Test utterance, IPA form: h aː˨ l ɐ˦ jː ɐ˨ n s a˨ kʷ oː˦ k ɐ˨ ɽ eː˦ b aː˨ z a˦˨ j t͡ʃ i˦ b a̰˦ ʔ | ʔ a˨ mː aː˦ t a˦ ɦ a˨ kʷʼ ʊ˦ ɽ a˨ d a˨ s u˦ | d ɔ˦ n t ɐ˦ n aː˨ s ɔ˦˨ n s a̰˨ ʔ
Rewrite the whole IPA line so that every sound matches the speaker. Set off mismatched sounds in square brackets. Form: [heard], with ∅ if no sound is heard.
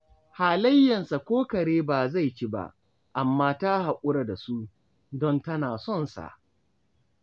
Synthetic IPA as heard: h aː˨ l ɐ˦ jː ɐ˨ n s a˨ kʷ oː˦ k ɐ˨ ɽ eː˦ b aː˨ z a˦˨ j t͡ʃ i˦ b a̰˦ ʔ | ʔ a˨ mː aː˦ t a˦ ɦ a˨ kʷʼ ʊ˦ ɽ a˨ d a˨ s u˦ | d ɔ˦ n t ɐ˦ n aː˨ s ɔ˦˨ n s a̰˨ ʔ